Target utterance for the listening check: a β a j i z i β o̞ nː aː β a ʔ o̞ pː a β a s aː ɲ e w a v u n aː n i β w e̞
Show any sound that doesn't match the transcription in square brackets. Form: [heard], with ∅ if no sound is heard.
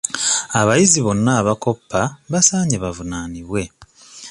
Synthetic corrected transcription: a β a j i z i β o̞ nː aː β a [k] o̞ pː a β a s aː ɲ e [β] a v u n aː n i β w e̞